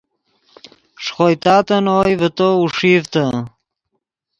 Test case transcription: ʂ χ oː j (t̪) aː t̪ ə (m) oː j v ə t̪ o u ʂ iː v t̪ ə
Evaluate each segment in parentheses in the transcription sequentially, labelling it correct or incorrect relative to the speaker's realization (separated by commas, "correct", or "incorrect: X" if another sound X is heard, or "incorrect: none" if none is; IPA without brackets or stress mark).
correct, incorrect: n